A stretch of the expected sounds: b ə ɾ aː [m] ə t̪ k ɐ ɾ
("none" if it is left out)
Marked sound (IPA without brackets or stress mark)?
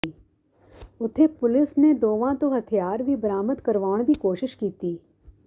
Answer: m